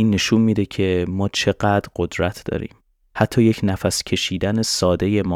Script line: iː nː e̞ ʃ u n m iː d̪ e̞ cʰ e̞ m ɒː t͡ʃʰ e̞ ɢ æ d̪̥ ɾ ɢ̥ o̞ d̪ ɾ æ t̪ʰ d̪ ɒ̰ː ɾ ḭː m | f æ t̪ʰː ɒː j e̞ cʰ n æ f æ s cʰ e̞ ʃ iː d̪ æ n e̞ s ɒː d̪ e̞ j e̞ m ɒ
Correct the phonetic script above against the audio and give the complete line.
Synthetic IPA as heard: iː nː e̞ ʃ u n m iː d̪ e̞ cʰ e̞ m ɒː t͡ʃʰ e̞ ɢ æ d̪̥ ɾ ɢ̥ o̞ d̪ ɾ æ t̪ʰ d̪ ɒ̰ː ɾ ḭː m | h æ t̪ʰː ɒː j e̞ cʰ n æ f æ s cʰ e̞ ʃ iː d̪ æ n e̞ s ɒː d̪ e̞ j e̞ m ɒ